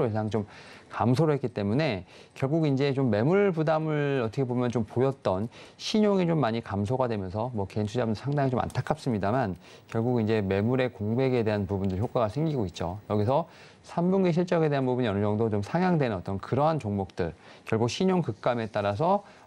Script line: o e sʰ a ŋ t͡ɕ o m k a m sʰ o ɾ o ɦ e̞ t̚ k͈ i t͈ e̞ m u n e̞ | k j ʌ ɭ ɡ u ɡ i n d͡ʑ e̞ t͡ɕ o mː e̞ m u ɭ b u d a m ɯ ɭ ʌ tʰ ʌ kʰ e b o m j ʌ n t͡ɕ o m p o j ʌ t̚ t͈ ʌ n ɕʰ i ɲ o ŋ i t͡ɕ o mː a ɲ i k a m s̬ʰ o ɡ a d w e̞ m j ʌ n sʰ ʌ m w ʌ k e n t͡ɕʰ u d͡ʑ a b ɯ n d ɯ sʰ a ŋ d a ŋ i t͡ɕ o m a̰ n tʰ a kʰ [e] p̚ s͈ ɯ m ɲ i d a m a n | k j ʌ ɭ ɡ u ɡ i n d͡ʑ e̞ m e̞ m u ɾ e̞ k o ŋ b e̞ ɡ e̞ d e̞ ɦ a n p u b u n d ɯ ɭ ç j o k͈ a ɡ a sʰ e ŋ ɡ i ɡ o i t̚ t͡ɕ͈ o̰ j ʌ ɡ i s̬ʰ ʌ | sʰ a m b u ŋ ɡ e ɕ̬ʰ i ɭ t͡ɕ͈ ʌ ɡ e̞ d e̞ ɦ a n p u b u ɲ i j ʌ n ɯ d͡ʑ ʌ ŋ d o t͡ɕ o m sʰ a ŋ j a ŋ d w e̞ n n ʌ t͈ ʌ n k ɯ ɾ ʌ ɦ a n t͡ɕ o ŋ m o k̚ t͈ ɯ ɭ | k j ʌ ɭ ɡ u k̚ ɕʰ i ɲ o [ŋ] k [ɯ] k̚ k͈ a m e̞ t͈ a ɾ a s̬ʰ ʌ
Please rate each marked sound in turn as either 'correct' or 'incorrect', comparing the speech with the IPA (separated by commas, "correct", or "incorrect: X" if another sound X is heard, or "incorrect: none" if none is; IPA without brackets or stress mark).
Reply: incorrect: a, correct, correct